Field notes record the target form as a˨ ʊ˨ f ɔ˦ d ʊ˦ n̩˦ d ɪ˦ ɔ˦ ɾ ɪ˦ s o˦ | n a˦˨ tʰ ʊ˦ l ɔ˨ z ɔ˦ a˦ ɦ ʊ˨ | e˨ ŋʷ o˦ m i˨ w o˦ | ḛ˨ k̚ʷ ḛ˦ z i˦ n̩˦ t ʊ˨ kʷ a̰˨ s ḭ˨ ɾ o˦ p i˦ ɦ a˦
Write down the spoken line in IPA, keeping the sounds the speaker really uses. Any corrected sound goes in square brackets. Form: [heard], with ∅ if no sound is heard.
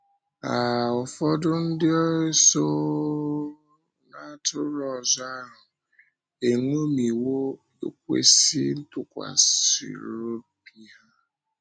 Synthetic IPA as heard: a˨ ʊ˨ f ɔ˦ d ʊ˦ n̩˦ d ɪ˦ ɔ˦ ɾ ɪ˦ s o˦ | n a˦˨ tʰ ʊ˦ [ɾ] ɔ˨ z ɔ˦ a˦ ɦ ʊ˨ | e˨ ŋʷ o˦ m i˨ w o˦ | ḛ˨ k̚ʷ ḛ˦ [s] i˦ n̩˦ t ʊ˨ kʷ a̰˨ s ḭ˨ ɾ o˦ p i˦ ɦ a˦